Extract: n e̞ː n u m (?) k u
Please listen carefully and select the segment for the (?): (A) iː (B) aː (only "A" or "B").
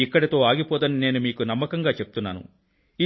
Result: A